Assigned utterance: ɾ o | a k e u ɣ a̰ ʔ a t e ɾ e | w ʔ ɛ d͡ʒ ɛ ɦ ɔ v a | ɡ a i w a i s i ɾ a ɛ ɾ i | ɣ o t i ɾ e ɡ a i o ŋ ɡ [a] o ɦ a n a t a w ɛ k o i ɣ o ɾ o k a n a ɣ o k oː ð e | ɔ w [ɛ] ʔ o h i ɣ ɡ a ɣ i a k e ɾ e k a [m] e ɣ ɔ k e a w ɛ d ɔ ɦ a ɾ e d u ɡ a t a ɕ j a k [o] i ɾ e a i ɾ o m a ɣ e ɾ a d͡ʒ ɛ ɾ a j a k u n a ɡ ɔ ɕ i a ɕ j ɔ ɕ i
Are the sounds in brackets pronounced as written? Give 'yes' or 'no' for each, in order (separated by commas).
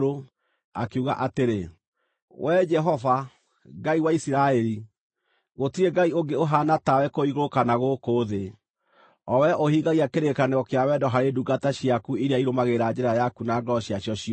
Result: no, yes, no, no